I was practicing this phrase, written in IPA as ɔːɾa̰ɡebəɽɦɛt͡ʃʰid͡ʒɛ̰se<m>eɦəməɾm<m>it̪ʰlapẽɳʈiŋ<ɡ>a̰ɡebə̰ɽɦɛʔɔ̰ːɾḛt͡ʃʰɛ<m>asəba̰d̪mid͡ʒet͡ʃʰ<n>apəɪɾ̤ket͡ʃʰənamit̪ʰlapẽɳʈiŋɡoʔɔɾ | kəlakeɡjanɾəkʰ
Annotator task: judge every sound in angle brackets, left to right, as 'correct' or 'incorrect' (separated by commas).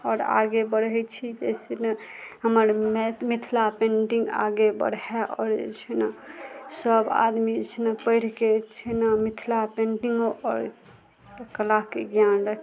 incorrect, correct, correct, incorrect, correct